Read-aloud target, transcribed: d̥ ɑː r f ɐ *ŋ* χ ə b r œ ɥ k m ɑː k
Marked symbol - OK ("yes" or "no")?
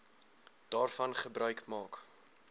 no